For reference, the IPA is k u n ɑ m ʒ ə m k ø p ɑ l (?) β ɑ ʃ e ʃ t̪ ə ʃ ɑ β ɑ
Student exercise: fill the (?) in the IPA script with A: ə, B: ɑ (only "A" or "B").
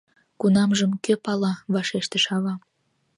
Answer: B